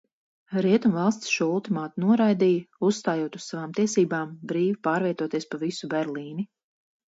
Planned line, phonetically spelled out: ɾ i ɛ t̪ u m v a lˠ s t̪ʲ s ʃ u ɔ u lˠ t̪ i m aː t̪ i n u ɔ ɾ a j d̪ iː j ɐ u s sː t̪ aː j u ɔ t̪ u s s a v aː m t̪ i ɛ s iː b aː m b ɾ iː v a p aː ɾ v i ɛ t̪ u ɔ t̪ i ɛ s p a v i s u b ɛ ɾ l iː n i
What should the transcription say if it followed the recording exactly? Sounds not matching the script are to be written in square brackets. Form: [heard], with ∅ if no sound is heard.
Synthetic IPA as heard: ɾ i ɛ t̪ u m v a lˠ s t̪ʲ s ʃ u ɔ u lˠ t̪ i m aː t̪ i n u ɔ ɾ a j d̪ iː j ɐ u s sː t̪ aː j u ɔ t̪ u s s a v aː m t̪ i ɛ s iː b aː m b ɾ iː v [i] p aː ɾ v i ɛ t̪ u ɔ t̪ i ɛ s p a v i s u b ɛ ɾ l iː n i